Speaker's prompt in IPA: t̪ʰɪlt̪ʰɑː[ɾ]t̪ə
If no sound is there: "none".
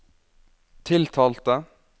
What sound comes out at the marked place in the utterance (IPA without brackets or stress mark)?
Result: l